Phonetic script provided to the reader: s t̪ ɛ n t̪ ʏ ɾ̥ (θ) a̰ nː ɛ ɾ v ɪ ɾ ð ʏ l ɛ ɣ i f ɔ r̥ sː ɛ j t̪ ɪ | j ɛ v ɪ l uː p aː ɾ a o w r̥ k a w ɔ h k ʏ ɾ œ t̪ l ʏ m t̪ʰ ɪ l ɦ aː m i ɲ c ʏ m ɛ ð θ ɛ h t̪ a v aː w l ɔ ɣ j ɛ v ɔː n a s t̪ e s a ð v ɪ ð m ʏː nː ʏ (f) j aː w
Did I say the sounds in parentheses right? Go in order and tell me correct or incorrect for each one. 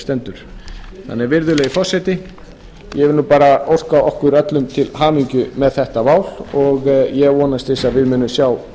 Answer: correct, incorrect: s

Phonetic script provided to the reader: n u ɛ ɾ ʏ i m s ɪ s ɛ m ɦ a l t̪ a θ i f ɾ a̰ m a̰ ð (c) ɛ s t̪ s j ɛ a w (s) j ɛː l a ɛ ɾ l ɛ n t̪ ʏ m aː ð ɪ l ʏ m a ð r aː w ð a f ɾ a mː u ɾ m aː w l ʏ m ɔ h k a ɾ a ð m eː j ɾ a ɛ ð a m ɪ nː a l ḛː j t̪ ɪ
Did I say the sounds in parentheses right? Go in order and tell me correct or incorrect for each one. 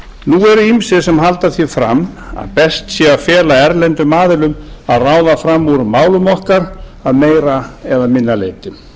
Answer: incorrect: p, incorrect: f

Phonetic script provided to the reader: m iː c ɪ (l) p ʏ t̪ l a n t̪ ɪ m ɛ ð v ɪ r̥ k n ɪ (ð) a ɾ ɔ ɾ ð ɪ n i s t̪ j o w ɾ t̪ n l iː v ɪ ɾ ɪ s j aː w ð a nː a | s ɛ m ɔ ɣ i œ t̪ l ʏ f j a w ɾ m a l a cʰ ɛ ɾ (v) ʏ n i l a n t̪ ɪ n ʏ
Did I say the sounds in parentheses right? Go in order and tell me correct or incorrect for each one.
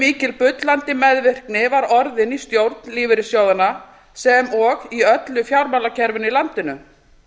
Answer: correct, incorrect: v, correct

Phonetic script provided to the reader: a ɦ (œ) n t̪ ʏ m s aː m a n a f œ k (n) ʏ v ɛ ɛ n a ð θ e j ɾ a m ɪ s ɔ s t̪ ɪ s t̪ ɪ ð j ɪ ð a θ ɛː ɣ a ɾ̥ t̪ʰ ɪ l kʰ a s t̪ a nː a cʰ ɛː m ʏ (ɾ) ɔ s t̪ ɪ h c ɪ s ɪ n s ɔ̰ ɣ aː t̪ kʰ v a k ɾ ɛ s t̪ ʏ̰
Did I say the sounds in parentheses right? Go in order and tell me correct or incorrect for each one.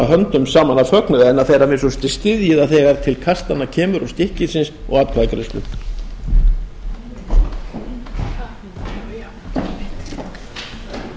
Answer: correct, correct, correct

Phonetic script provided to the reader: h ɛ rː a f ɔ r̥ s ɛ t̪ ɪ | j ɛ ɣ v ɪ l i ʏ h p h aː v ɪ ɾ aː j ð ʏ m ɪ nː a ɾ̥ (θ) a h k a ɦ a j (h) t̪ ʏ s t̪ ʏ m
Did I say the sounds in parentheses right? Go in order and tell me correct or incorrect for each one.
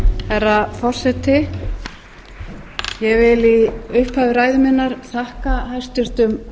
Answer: correct, incorrect: s

